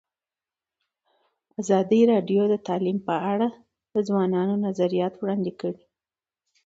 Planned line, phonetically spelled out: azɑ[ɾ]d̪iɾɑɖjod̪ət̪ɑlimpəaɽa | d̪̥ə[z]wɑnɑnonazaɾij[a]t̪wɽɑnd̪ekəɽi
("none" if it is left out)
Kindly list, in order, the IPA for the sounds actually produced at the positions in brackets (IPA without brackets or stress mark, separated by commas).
none, z, ɑ